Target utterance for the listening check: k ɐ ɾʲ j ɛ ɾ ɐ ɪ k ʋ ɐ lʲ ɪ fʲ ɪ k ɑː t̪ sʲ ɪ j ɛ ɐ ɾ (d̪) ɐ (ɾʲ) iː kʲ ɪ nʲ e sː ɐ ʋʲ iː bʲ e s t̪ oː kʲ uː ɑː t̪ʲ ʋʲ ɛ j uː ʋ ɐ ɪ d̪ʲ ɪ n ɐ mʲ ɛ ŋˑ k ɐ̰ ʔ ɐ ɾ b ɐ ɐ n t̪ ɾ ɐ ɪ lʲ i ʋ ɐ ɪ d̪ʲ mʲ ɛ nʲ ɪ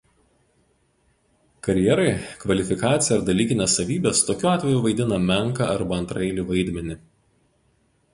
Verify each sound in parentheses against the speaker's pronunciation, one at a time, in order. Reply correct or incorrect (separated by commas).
correct, incorrect